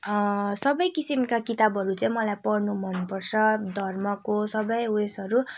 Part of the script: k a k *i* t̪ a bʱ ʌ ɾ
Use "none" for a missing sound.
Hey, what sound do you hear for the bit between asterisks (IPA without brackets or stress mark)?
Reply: i